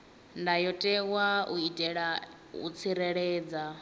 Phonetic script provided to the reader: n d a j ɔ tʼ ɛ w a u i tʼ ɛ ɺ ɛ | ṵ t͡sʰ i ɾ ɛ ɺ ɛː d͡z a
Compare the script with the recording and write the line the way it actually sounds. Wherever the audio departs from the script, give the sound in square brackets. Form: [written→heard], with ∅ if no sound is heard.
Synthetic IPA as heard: n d a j ɔ tʼ ɛ w a u i tʼ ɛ ɺ [ɛ→a] | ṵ t͡sʰ i ɾ ɛ ɺ ɛː d͡z a